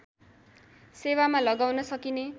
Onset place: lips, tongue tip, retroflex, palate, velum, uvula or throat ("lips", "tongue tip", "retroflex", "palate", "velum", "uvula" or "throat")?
tongue tip